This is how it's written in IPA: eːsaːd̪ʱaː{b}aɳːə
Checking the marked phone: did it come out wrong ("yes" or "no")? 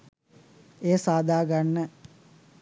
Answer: yes